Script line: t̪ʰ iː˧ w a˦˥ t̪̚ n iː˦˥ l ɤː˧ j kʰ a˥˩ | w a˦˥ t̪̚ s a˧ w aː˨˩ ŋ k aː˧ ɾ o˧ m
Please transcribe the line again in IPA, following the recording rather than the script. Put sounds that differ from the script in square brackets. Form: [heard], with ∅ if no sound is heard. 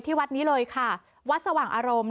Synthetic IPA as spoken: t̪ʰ [iː˥˩] w a˦˥ t̪̚ n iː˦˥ l ɤː˧ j kʰ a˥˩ | w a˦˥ t̪̚ s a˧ w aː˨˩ ŋ [ʔ] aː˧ ɾ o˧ m